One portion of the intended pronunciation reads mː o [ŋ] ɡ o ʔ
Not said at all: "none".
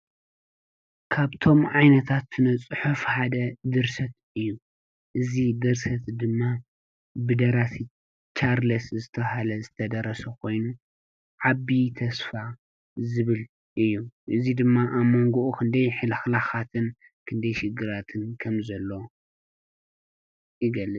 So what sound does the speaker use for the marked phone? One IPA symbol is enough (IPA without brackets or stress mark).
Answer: ŋ